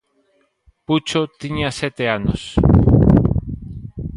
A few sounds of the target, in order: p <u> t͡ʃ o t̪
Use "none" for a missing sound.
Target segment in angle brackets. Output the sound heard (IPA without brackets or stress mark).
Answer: u